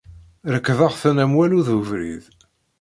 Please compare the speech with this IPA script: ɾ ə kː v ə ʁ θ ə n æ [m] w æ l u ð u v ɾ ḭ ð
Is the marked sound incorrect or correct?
correct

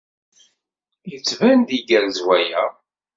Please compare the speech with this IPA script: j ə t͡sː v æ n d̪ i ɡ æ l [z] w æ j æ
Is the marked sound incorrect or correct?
correct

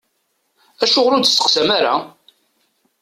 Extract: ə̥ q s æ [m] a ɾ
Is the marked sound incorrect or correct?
correct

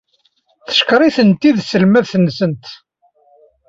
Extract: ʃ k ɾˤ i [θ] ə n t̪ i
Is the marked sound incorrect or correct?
correct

